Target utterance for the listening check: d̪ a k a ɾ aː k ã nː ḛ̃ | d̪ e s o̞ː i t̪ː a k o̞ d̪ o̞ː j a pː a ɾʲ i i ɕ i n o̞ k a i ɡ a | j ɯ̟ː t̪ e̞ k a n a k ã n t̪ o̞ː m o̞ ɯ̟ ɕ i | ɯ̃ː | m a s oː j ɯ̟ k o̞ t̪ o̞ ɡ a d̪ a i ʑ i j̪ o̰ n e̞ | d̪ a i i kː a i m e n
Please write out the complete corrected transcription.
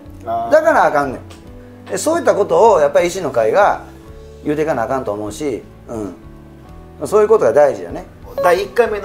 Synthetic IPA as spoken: d̪ a k a ɾ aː k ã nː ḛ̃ | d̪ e s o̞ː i t̪ː a k o̞ t̪ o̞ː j a pː a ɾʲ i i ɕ i n o̞ k a i ɡ a | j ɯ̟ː t̪ e̞ k a n a k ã n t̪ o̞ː m o̞ ɯ̟ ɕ i | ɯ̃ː | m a s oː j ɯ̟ k o̞ t̪ o̞ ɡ a d̪ a i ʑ i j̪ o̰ n e̞ | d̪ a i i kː a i m e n